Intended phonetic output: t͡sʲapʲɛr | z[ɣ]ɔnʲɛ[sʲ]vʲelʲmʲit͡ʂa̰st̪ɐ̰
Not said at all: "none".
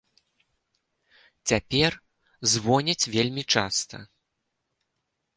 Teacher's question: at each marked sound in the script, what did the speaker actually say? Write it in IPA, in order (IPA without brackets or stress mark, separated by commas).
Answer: v, t͡sʲ